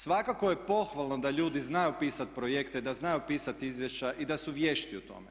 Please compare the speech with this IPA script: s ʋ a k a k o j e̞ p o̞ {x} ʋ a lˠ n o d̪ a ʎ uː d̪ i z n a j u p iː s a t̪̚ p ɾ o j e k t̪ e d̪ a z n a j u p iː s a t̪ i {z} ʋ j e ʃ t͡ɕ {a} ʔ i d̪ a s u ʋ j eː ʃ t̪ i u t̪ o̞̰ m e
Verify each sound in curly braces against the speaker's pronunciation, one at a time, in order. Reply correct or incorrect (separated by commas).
correct, correct, correct